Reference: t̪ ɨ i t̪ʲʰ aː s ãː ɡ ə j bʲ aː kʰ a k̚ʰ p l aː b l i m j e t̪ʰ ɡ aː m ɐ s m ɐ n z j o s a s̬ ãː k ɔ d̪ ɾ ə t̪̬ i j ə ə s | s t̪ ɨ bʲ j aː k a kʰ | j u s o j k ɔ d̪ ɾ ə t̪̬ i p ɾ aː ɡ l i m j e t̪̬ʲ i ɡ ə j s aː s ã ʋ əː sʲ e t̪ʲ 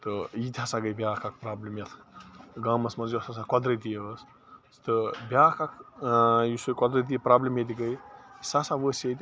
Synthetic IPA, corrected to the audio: t̪ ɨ i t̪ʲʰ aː s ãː ɡ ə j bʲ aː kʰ a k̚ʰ p ɾ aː b l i m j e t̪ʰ ɡ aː m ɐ s m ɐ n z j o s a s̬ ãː k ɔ d̪ ɾ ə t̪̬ i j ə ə s | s t̪ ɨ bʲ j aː k a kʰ | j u s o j k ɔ d̪ ɾ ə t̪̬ i p ɾ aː b l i m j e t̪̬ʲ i ɡ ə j s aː s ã ʋ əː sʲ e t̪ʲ